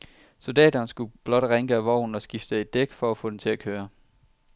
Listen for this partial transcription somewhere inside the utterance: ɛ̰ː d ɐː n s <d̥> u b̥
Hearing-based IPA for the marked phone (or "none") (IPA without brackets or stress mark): ɡ̥